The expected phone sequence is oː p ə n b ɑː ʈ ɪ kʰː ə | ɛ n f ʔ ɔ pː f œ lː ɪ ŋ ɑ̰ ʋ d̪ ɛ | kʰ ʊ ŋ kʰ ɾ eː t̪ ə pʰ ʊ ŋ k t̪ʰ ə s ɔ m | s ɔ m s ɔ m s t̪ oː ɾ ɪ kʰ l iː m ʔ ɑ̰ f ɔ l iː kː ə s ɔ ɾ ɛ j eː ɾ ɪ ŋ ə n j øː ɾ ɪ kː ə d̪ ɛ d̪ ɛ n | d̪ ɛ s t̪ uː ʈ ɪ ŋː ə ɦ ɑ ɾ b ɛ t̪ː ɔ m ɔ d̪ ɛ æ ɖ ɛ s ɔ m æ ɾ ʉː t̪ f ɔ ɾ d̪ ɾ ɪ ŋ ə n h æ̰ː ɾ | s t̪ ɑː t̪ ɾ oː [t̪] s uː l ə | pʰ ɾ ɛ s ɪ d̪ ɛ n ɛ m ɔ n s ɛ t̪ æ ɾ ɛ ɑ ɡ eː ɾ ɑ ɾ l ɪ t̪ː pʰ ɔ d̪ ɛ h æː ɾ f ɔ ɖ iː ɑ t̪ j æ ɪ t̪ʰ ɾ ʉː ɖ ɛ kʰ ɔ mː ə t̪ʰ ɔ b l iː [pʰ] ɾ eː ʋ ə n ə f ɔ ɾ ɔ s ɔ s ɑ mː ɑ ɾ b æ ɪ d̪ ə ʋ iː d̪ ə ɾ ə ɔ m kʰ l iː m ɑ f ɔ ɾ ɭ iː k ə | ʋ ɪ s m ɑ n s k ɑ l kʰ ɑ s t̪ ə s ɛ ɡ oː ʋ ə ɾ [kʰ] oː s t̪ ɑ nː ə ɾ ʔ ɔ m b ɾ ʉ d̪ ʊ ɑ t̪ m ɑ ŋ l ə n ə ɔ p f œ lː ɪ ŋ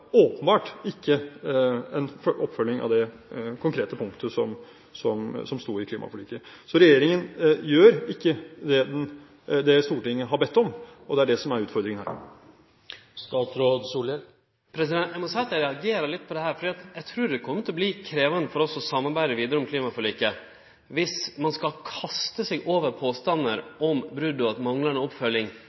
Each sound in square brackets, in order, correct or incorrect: incorrect, incorrect, incorrect

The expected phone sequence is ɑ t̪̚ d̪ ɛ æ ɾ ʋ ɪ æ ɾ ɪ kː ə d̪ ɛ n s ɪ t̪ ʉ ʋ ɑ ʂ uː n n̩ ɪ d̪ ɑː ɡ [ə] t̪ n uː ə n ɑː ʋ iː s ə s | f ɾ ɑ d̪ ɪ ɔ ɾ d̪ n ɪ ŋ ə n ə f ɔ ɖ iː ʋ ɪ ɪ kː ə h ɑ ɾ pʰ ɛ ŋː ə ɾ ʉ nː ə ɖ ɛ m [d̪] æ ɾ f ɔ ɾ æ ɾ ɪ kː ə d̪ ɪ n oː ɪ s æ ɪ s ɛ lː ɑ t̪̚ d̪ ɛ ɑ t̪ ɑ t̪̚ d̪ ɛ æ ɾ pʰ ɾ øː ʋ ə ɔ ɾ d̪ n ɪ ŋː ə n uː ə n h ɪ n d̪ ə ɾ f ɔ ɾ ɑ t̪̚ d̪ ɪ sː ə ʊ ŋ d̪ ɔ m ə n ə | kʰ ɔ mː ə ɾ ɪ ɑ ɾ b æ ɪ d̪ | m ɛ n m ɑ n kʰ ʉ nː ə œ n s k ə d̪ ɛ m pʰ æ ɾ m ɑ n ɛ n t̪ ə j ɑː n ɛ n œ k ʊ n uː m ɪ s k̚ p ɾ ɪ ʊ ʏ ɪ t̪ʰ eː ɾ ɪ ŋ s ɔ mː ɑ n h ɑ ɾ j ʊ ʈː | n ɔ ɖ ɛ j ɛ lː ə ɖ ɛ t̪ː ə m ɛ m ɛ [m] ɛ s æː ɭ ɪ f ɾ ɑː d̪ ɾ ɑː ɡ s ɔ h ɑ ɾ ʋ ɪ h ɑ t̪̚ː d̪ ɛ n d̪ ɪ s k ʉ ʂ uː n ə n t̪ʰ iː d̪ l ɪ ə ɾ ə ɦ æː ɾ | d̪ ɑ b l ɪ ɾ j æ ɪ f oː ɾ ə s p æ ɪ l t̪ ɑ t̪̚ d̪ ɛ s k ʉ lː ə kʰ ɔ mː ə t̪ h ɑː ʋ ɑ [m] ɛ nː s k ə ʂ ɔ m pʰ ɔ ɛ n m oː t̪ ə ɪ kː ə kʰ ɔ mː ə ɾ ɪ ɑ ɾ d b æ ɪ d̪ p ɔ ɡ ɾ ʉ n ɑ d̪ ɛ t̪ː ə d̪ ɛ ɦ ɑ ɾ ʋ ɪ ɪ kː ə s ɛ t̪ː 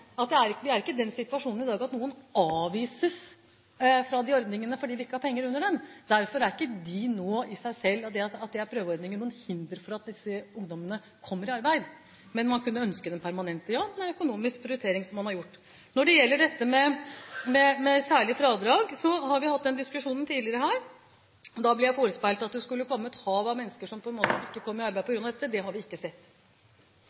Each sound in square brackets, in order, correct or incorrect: incorrect, correct, correct, correct

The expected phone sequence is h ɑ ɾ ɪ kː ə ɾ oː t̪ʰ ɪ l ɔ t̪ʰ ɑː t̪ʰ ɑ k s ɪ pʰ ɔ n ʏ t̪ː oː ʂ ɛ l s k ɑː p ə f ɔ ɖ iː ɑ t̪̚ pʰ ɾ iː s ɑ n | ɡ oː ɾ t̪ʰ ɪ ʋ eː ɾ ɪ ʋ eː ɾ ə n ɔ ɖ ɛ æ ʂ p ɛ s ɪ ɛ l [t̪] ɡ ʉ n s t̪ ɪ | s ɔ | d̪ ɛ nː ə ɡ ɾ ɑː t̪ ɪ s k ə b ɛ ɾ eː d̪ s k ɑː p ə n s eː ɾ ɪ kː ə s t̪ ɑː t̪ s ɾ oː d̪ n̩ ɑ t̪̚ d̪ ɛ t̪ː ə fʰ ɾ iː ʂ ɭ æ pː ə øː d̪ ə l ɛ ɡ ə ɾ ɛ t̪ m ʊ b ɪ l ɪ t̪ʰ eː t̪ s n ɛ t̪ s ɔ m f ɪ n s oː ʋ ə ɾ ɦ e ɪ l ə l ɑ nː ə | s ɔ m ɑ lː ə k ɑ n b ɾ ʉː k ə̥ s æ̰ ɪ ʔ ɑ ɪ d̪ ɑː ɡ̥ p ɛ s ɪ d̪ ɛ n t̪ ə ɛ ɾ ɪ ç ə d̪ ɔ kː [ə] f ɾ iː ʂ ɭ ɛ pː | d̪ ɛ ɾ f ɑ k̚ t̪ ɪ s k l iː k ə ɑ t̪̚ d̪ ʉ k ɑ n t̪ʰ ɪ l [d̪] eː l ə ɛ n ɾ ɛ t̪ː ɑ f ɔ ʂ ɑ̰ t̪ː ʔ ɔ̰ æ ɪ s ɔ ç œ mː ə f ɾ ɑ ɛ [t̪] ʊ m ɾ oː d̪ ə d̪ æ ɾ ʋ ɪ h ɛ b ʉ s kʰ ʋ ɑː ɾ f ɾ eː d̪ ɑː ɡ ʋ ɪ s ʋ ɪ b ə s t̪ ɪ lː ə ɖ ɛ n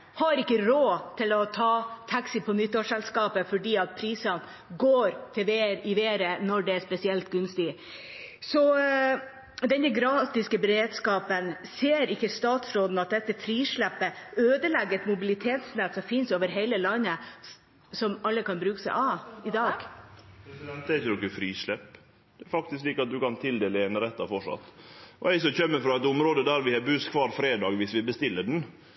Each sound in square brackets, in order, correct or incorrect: correct, correct, correct, correct

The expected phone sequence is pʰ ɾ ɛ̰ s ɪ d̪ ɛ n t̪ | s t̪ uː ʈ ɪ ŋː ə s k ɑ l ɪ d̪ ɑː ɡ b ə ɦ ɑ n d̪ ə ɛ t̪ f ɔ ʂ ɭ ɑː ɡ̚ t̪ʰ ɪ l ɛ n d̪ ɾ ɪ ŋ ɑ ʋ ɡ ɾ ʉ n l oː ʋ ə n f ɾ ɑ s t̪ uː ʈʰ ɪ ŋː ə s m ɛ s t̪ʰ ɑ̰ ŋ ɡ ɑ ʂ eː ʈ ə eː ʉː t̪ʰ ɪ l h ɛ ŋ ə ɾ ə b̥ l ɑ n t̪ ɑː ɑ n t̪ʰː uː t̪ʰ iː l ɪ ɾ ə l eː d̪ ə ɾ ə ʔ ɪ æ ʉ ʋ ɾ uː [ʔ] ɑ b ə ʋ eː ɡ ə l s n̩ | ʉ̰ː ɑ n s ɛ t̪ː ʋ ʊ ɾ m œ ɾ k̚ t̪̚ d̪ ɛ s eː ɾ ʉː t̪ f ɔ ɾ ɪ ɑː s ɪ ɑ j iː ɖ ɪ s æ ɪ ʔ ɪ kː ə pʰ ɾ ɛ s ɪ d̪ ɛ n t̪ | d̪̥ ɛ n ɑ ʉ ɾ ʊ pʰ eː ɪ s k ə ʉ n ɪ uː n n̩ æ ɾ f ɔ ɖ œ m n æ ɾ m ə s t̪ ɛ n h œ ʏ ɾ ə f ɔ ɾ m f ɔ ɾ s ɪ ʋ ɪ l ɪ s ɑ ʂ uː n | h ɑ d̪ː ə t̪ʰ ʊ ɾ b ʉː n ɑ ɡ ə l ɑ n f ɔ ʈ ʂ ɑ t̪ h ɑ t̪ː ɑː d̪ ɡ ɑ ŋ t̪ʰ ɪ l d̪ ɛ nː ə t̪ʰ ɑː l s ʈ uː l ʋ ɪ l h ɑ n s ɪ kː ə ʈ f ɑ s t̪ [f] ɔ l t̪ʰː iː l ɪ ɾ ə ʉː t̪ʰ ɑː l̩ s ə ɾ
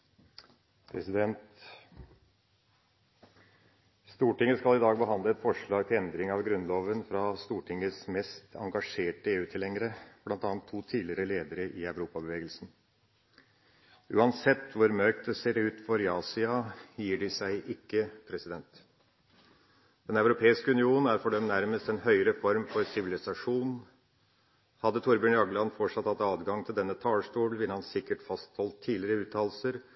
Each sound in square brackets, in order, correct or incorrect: incorrect, incorrect

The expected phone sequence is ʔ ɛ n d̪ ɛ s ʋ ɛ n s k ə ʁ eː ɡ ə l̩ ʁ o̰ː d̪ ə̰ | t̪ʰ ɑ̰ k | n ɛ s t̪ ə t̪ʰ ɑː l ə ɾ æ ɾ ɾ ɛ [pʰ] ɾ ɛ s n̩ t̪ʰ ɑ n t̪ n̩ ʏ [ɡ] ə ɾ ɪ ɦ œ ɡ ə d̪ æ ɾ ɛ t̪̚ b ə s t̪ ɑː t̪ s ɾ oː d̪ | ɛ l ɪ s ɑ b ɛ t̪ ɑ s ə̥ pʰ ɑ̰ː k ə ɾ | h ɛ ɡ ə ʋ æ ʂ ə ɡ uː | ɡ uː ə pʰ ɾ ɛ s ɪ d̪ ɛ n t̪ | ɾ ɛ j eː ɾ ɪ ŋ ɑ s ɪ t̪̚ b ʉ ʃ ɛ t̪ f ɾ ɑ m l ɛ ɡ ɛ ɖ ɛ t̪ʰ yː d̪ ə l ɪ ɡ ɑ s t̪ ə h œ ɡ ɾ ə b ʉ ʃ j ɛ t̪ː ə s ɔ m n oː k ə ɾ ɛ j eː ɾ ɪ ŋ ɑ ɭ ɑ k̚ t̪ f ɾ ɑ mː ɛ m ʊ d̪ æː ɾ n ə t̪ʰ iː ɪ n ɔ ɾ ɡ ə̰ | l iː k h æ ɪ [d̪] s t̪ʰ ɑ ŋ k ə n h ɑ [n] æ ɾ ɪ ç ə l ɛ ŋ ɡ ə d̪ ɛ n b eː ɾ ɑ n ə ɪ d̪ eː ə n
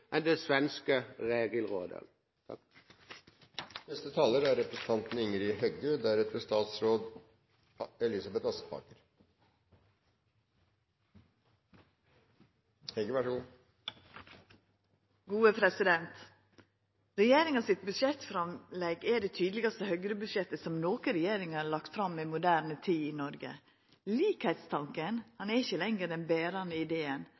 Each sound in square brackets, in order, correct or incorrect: incorrect, incorrect, incorrect, correct

